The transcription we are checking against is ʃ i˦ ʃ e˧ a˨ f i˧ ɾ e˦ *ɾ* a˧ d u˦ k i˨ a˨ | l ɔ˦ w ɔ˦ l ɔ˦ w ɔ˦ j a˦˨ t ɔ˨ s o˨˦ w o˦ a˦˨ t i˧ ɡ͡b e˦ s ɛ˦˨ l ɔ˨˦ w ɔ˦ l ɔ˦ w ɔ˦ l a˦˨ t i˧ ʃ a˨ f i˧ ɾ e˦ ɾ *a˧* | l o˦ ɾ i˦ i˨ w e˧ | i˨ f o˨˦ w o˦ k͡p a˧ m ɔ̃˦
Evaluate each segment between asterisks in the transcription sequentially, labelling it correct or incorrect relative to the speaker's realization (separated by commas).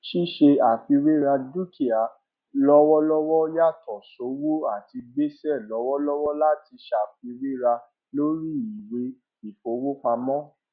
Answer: correct, correct